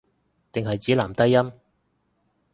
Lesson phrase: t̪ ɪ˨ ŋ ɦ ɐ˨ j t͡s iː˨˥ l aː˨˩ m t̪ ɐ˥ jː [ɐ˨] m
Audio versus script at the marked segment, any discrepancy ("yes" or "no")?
yes